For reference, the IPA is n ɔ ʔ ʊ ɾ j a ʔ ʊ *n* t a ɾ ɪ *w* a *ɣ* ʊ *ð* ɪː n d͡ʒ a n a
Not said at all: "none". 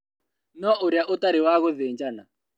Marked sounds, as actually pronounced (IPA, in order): none, w, ɣ, ð

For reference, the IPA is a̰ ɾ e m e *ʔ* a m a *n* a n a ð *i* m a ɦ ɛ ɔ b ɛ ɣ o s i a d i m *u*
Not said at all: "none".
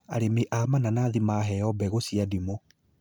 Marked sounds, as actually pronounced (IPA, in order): ʔ, n, i, o

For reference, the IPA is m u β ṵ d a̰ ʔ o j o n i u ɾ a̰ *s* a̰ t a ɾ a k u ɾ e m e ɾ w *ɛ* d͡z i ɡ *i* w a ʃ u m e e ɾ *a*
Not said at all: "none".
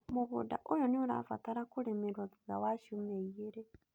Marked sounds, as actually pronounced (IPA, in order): f, a, a, e

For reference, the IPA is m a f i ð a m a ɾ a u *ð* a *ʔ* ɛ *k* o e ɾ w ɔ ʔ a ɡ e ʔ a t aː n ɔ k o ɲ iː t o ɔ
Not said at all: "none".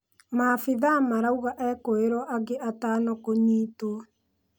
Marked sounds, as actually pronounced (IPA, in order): ɣ, ʔ, k

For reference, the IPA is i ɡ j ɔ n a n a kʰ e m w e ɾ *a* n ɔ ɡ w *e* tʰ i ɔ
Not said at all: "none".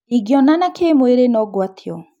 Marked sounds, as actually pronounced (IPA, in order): e, a

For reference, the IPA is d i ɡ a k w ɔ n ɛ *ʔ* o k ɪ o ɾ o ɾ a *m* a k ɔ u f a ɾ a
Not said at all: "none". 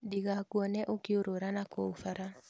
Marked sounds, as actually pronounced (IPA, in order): ʔ, n

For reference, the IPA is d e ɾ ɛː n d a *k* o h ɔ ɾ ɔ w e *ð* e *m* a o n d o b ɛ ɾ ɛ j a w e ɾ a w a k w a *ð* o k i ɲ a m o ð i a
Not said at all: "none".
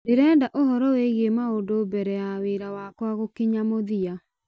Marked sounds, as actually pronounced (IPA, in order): ʔ, ɣ, m, ɣ

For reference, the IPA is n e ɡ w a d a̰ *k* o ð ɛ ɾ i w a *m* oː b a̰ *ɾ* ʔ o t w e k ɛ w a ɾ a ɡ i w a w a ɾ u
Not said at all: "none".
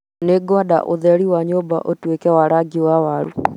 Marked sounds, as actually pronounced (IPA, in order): ʔ, ɲ, none

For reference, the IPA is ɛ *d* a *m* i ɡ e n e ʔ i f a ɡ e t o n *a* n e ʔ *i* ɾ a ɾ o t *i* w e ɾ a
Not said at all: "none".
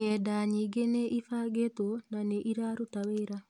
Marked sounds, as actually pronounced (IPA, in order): d, ɲ, a, i, a

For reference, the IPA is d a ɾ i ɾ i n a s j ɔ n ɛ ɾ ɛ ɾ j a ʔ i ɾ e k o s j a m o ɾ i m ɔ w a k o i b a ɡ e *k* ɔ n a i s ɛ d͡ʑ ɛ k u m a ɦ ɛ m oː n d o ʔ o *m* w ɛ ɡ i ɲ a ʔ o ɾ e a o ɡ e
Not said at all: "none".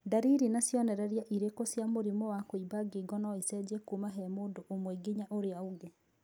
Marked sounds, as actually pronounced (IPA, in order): ɡ, m

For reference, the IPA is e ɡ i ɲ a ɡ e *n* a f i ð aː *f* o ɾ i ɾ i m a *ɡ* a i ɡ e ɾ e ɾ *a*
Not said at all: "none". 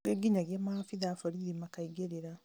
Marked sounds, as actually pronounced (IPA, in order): m, f, k, a

